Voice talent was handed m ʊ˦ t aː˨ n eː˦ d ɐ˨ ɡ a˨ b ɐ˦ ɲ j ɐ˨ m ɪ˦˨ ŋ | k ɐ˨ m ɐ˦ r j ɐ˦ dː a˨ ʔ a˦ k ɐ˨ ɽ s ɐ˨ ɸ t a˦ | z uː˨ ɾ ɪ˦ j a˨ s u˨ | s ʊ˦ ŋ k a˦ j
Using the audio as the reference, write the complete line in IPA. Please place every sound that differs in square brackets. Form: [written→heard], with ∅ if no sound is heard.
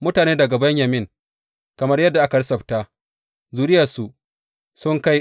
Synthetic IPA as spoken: m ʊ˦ t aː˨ n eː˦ d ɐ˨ ɡ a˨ b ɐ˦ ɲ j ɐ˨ m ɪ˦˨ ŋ | k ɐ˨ m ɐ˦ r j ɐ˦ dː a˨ ʔ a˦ k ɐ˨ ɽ s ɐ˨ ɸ t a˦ | z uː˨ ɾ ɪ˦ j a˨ s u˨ | s ʊ˦ ŋ k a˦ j